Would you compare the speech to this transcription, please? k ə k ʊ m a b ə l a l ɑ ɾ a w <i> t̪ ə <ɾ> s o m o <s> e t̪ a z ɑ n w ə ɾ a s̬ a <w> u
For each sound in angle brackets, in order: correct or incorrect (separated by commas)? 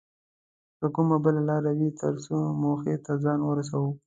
correct, correct, incorrect, correct